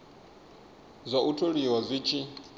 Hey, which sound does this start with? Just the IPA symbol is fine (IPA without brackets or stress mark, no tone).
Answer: zʷ